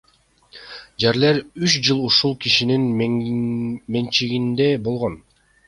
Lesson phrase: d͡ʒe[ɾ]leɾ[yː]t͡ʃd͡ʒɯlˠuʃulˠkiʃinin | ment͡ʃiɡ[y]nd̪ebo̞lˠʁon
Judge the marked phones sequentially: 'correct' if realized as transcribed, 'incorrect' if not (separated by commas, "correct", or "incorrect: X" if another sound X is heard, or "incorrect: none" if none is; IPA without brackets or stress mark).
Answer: correct, incorrect: y, incorrect: i